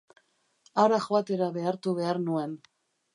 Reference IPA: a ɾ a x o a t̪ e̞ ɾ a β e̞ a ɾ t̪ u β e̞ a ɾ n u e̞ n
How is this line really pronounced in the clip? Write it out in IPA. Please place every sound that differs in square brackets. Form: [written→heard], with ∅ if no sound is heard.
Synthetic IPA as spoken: a ɾ a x o a t̪ e̞ ɾ a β e̞ a ɾ t̪ u β e̞ a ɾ n u e̞ n

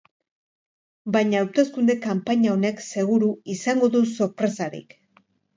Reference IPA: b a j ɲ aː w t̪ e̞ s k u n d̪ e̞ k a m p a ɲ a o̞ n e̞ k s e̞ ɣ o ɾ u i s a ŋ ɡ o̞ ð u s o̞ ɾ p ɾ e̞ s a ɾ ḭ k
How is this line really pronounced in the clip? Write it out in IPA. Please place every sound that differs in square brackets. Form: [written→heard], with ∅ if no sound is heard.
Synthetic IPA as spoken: b a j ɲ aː w t̪ e̞ s k u n d̪ e̞ k a m p a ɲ a o̞ n e̞ k s e̞ ɣ [o→u] ɾ u i s a ŋ ɡ o̞ ð u s o̞ ɾ p ɾ e̞ s a ɾ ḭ k

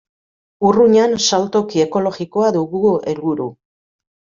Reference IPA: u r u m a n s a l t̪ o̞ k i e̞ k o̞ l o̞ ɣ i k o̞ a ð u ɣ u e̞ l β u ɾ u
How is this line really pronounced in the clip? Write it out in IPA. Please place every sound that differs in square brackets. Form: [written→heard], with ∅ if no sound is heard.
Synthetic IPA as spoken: u r u [m→ɲ] a n s a l t̪ o̞ k i e̞ k o̞ l o̞ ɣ i k o̞ a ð u ɣ u e̞ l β u ɾ u

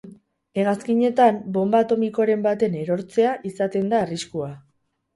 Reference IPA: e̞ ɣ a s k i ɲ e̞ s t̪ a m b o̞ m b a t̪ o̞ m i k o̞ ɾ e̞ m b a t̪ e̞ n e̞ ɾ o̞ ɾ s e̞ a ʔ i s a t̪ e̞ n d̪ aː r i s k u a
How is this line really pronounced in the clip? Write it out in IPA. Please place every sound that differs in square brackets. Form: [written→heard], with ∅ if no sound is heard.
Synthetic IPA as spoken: e̞ ɣ a s k i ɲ e̞ [s→∅] t̪ a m b o̞ m b a t̪ o̞ m i k o̞ ɾ e̞ m b a t̪ e̞ n e̞ ɾ o̞ ɾ [s→t͡s] e̞ a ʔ i s a t̪ e̞ n d̪ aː r i s k u a

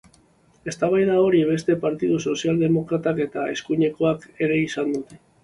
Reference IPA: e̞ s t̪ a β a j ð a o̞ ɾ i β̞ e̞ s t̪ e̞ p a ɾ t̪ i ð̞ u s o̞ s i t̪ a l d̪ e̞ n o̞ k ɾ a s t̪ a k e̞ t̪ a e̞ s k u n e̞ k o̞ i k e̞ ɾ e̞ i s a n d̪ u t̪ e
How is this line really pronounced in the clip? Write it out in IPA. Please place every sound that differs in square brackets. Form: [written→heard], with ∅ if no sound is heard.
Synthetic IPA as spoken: e̞ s t̪ a β a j ð a o̞ ɾ i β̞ e̞ s t̪ e̞ p a ɾ t̪ i ð̞ u s o̞ s i [t̪→∅] a l d̪ e̞ [n→m] o̞ k ɾ a [s→∅] t̪ a k e̞ t̪ a e̞ s k u [n→ɲ] e̞ k o̞ [i→a] k e̞ ɾ e̞ i s a n d̪ u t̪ e

